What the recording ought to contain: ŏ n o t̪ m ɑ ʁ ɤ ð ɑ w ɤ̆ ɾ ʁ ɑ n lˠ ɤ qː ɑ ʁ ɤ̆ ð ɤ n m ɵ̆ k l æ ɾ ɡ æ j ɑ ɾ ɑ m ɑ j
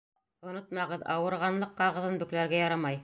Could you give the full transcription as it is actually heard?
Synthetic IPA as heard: ŏ n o t̪ m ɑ ʁ ɤ ð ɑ w ɤ̆ ɾ ʁ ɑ n lˠ ɤ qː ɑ ʁ ɤ̆ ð ɤ n b ɵ̆ k l æ ɾ ɡ æ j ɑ ɾ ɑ m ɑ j